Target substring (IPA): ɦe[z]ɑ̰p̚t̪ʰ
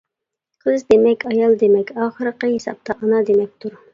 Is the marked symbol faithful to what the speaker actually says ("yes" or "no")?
no